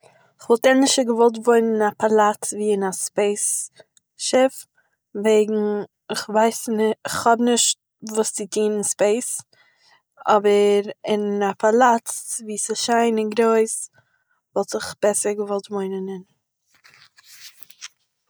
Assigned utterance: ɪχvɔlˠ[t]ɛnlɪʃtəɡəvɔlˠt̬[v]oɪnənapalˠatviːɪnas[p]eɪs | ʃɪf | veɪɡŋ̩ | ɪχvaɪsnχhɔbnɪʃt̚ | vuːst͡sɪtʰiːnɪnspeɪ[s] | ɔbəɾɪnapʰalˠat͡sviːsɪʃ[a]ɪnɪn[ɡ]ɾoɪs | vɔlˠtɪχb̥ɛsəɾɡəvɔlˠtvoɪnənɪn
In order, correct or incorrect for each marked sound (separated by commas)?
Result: correct, correct, correct, correct, correct, correct